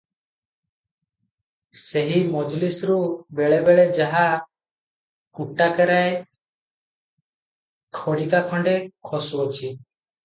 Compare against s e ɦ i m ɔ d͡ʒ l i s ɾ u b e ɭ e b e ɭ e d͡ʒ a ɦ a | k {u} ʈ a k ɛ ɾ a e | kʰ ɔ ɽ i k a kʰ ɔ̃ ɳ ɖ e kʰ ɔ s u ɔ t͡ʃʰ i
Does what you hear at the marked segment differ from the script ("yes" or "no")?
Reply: no